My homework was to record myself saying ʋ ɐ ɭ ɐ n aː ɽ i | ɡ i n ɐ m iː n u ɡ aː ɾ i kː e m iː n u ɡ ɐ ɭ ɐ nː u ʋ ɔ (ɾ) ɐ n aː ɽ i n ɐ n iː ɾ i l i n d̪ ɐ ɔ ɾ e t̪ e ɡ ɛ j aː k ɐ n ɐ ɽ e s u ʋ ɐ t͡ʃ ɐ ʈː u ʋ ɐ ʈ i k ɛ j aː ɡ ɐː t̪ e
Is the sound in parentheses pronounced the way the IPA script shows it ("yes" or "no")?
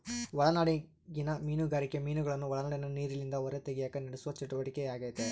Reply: no